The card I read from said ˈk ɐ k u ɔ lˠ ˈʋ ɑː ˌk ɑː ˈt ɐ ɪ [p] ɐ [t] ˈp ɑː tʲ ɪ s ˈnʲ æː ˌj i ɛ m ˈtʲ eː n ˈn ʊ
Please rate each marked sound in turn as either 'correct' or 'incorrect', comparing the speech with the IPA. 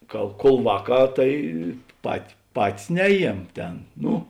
correct, correct

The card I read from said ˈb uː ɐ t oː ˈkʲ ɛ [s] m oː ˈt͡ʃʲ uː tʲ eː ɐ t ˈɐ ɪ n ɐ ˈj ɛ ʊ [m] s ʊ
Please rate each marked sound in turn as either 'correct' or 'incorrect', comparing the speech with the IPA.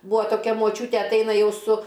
incorrect: none, incorrect: none

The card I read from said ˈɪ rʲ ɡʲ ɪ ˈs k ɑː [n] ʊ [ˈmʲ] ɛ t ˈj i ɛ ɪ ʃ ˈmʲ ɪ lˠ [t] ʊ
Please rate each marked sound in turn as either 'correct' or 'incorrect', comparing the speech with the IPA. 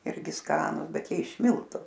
correct, incorrect: bʲ, correct

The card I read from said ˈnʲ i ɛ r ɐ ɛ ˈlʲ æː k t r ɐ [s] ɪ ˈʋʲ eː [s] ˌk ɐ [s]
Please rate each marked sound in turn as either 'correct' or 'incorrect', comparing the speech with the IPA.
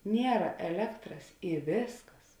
correct, correct, correct

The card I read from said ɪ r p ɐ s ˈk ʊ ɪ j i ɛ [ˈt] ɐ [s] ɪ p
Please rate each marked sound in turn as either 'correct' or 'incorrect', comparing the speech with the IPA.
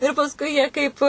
incorrect: k, incorrect: none

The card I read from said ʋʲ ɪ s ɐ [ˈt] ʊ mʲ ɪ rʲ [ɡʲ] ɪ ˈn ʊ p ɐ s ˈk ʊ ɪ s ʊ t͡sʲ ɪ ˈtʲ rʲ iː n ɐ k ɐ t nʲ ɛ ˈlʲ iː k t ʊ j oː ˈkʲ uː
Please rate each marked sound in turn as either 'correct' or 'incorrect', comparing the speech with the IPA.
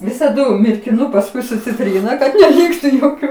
incorrect: d, incorrect: kʲ

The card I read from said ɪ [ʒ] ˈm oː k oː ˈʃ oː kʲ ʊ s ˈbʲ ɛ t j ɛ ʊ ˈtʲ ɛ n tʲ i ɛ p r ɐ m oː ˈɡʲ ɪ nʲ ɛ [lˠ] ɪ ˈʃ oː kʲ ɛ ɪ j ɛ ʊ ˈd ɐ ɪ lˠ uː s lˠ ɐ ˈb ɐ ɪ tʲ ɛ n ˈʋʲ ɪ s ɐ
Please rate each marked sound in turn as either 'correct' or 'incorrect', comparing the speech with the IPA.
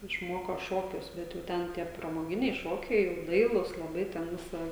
incorrect: ʃ, incorrect: none

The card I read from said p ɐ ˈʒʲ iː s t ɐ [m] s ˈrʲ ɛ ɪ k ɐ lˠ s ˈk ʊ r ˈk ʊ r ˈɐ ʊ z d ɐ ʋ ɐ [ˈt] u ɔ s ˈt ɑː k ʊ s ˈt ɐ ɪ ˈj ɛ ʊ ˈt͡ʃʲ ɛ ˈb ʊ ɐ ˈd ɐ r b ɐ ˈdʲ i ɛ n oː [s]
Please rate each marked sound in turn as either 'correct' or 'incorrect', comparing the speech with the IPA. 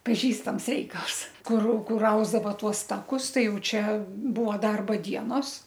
correct, correct, correct

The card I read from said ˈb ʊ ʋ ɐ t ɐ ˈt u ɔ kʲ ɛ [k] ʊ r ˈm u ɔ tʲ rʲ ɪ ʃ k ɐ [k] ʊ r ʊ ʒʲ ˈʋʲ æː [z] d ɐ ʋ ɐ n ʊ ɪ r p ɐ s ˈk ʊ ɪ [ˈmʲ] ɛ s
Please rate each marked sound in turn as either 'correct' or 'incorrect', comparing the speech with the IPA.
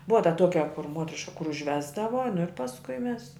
correct, correct, correct, correct

